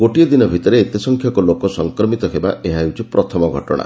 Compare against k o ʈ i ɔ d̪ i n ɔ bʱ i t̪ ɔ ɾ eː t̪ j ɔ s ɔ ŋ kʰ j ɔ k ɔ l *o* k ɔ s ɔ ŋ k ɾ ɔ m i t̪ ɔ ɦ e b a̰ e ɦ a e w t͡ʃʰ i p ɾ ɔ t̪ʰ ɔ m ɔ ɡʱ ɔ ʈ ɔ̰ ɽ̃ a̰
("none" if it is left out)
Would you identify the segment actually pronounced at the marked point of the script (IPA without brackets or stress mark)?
o